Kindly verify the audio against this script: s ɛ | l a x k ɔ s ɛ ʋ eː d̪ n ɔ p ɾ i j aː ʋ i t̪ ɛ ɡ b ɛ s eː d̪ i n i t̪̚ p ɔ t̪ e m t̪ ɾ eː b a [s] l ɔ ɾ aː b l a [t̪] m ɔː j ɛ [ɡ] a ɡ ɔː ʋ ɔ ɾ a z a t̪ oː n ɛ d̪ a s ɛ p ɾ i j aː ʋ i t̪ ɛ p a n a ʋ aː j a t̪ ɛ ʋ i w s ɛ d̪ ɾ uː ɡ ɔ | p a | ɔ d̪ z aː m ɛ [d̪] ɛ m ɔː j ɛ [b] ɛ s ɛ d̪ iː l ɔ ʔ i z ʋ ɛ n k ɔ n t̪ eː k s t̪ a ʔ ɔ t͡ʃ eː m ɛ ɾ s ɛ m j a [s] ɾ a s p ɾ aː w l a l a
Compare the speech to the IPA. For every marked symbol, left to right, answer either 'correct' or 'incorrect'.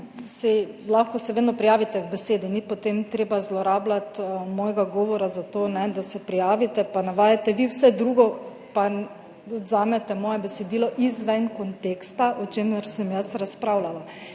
incorrect, correct, correct, incorrect, correct, correct

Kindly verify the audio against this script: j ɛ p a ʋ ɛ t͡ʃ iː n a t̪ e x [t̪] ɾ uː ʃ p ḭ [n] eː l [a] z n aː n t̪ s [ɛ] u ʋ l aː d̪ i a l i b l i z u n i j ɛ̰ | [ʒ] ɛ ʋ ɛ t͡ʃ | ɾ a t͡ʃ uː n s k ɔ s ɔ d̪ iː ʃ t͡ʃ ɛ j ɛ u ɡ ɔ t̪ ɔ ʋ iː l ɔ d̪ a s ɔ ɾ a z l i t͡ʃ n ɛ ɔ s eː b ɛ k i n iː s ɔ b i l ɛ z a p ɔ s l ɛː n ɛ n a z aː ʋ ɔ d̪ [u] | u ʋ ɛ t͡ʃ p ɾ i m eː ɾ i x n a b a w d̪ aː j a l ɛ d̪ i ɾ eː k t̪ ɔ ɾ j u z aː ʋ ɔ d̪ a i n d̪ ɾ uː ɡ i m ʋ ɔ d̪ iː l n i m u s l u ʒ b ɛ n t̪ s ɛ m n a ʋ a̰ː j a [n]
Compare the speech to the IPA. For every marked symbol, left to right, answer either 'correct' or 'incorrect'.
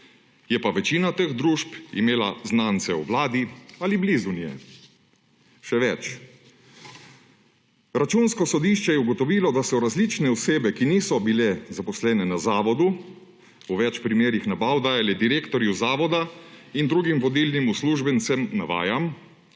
incorrect, incorrect, correct, correct, incorrect, correct, incorrect

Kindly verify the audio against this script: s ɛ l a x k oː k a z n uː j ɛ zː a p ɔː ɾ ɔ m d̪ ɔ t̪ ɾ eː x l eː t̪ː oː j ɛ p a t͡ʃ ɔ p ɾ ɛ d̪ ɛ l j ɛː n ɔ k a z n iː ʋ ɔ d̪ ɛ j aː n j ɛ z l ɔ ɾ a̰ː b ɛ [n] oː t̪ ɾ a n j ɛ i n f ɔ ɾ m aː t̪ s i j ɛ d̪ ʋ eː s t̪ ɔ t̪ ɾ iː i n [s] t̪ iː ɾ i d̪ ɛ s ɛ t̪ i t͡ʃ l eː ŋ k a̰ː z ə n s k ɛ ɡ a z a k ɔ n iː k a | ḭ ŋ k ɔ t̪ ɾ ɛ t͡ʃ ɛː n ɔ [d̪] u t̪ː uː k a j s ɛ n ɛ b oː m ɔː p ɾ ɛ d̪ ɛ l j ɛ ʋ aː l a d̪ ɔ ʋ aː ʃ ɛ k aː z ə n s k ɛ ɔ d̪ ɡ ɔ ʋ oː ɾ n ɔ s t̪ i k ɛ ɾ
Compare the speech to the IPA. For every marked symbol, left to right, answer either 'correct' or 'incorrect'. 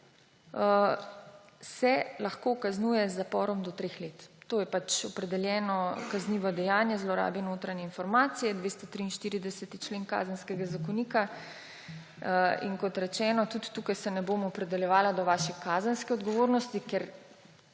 correct, incorrect, incorrect

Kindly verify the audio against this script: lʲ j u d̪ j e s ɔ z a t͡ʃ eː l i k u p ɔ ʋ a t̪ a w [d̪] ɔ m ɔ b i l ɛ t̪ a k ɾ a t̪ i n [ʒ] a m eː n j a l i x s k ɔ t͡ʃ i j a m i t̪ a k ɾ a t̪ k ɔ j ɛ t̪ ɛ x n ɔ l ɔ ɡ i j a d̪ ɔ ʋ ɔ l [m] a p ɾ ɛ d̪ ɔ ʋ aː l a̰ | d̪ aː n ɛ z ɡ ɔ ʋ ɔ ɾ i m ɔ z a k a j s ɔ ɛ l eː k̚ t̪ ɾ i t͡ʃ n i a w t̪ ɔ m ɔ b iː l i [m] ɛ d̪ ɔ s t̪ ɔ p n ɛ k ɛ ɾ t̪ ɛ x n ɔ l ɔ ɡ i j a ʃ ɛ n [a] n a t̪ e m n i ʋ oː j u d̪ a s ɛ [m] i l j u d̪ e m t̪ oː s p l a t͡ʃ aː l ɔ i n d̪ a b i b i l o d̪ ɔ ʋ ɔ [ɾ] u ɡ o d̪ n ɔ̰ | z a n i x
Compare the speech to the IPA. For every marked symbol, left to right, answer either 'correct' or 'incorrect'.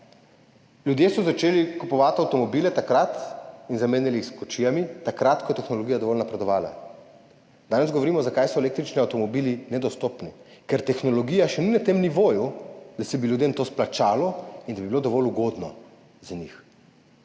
incorrect, incorrect, incorrect, incorrect, incorrect, incorrect, incorrect

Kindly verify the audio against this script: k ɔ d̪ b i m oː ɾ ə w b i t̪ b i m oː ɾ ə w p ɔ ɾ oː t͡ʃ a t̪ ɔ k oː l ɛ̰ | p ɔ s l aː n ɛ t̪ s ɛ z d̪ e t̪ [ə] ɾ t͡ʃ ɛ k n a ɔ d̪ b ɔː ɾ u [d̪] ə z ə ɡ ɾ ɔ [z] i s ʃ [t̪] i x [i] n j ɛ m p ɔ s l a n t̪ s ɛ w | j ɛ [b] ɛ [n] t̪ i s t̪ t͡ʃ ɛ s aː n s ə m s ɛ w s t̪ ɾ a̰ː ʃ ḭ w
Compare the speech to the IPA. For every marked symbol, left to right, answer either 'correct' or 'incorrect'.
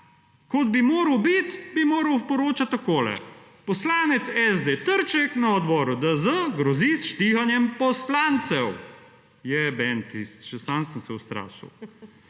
correct, correct, correct, correct, incorrect, correct, correct

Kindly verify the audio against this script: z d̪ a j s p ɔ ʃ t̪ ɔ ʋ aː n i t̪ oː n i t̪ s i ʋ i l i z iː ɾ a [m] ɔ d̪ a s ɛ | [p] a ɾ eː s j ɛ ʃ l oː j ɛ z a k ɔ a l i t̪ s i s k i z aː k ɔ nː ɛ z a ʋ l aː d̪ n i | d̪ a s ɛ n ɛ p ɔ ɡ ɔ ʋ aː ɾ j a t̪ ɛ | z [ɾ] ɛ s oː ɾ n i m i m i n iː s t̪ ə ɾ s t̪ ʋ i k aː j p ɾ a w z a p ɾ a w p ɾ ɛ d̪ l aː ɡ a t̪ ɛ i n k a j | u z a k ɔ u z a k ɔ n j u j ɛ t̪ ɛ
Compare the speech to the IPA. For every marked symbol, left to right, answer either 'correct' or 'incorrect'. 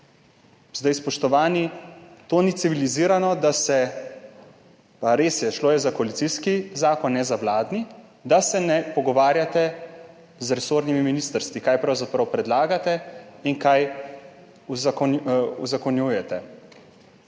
incorrect, correct, correct

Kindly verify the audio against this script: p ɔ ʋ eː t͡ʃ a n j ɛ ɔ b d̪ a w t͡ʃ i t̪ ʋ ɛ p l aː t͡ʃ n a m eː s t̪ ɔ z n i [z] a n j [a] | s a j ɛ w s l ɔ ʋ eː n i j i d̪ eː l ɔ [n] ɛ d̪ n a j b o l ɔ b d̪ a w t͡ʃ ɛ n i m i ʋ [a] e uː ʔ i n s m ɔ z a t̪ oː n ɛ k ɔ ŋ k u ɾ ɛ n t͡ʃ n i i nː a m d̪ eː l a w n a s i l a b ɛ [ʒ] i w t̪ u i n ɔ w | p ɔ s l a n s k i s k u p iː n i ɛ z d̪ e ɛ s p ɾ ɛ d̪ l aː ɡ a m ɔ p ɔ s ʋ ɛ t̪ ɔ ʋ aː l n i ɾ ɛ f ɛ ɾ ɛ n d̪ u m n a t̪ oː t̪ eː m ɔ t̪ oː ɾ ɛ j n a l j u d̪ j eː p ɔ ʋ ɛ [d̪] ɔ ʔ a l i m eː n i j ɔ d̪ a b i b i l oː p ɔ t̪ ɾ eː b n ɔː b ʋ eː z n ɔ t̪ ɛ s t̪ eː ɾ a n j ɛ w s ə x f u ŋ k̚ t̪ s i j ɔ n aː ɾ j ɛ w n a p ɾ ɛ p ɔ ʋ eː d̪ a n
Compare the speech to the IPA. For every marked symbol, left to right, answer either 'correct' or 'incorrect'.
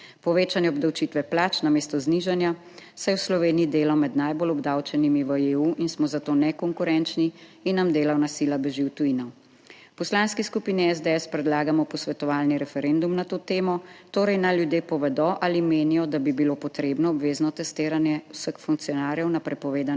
incorrect, correct, incorrect, incorrect, correct, correct

